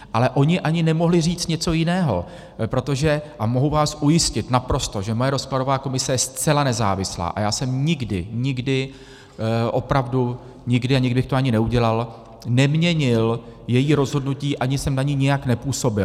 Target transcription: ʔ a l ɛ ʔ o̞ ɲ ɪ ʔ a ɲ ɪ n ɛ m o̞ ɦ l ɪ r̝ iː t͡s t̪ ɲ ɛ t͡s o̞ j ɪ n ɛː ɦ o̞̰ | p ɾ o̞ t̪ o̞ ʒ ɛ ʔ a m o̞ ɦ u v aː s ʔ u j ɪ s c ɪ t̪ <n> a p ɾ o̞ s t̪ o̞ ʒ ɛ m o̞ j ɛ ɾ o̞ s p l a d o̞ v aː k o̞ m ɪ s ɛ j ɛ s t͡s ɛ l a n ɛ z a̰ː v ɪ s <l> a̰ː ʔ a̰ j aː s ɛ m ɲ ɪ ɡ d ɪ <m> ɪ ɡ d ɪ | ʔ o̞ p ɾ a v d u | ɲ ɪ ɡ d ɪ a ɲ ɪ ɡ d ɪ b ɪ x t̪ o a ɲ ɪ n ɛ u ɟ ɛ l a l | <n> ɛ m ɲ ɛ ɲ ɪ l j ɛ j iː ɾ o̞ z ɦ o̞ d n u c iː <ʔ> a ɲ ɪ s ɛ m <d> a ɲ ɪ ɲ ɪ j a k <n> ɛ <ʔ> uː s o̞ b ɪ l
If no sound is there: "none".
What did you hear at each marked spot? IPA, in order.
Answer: n, l, ɲ, n, ʔ, n, n, p

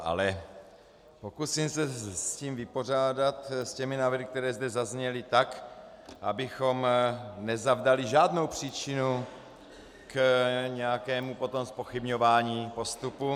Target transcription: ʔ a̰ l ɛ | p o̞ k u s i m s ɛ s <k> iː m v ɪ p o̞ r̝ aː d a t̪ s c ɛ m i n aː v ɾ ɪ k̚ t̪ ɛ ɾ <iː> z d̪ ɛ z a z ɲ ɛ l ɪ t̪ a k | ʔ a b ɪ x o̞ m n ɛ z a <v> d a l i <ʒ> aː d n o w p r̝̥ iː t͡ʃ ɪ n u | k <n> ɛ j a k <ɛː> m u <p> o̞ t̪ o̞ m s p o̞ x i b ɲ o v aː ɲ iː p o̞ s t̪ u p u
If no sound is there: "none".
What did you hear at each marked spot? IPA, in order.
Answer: c, ɛː, v, ʒ, ɲ, ɛː, p

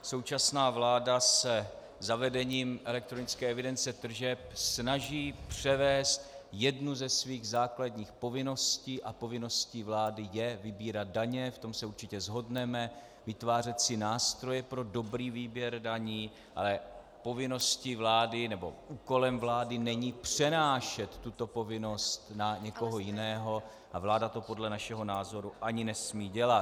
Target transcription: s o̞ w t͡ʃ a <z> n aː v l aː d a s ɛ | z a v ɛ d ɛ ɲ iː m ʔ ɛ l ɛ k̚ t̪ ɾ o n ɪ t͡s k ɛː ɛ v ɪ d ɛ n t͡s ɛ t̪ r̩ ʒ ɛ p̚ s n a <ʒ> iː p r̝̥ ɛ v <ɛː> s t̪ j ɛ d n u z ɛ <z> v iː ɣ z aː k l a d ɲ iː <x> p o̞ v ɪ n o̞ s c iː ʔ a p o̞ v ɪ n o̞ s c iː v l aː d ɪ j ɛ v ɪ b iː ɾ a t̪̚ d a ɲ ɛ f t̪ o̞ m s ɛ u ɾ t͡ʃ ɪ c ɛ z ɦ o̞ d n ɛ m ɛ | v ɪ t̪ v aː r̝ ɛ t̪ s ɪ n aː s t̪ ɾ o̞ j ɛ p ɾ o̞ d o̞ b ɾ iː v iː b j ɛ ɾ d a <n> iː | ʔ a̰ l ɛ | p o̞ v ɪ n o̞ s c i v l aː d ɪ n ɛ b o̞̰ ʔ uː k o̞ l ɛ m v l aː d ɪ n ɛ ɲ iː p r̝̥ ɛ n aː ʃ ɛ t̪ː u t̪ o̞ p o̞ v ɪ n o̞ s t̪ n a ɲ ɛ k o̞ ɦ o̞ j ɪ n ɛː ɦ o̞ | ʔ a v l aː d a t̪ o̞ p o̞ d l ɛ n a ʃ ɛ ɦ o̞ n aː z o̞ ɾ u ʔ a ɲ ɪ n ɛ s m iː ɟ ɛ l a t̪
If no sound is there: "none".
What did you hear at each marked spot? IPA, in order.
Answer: s, ʒ, ɛː, s, x, ɲ

